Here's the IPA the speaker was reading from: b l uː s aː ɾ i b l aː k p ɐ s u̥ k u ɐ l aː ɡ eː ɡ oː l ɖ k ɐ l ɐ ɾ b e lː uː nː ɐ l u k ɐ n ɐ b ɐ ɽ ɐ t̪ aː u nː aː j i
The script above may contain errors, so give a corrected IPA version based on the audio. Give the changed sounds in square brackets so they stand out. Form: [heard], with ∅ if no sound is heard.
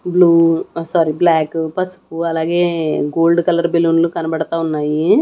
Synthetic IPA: b l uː s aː ɾ i b l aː k p ɐ s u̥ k u ɐ l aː ɡ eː ɡ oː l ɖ k ɐ l ɐ ɾ b e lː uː [n] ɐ l u k ɐ n ɐ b ɐ ɽ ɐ t̪ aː u nː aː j i